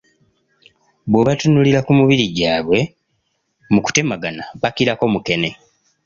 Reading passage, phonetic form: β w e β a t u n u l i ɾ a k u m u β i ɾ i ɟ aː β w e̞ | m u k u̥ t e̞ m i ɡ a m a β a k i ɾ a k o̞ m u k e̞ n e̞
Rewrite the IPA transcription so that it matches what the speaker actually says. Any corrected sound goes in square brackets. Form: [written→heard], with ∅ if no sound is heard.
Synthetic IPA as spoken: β w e β a t u n u l i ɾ a k u m u β i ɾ i ɟ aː β w e̞ | m u k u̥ t e̞ m [i→a] ɡ a [m→n] a β a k i ɾ a k o̞ m u k e̞ n e̞